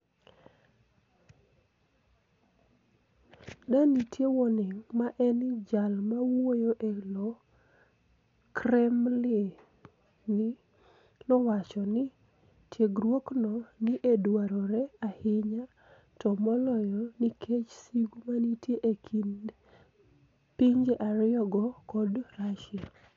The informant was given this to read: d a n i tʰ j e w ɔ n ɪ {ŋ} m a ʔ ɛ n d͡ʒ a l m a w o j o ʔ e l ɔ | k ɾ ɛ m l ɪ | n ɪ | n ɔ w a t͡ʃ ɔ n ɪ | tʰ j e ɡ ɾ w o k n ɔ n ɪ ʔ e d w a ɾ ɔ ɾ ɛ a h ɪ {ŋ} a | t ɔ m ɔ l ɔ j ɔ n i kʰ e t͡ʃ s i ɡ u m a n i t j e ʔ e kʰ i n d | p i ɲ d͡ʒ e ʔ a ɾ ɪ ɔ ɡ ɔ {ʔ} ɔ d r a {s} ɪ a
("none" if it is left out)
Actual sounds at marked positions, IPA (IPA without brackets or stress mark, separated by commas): ŋ, ɲ, k, ʃ